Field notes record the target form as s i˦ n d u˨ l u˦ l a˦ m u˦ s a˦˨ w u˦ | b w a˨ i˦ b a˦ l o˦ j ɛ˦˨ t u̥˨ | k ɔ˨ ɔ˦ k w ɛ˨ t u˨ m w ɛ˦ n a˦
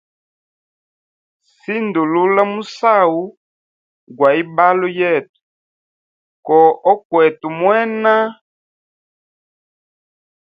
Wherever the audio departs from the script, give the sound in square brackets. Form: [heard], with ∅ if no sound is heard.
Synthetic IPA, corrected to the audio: s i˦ n d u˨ l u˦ l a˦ m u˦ s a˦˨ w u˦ | [ɡ] w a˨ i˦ b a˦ l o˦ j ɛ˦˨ t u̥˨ | k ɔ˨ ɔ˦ k w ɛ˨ t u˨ m w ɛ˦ n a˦